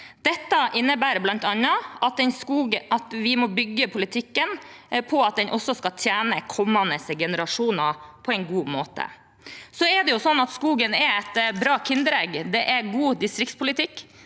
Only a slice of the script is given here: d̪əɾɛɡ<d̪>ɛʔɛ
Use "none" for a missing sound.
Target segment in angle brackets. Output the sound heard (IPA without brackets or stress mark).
d̪